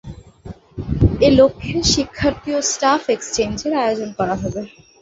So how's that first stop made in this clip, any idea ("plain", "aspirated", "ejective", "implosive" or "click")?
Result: aspirated